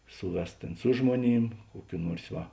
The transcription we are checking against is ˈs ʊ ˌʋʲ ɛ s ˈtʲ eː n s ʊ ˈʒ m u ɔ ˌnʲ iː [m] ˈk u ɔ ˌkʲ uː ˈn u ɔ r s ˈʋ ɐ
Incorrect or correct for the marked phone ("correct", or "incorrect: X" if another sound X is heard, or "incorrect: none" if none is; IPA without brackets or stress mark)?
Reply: correct